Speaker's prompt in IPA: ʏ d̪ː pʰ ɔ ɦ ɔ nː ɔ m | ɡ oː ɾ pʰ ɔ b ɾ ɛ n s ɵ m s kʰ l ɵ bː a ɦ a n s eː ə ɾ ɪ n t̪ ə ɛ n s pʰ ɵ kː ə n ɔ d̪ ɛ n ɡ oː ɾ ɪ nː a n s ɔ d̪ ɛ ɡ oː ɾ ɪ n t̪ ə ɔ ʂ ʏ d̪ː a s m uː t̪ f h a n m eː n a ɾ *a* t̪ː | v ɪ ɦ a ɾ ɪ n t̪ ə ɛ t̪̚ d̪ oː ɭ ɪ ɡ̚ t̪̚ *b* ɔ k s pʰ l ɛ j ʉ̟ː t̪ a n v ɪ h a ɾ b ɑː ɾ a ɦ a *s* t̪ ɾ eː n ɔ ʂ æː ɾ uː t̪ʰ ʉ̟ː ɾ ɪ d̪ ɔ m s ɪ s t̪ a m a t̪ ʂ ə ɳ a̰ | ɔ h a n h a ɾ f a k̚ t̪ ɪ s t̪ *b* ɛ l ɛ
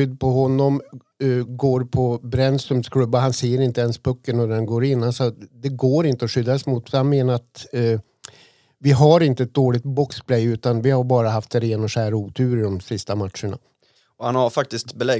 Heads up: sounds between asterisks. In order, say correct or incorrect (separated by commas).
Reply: correct, correct, incorrect, correct